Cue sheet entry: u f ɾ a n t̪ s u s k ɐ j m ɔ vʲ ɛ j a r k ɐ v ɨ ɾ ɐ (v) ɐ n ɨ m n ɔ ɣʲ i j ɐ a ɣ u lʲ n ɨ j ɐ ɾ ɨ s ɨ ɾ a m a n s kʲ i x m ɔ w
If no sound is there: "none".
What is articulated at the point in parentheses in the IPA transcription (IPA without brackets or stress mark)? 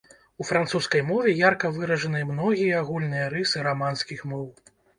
ʐ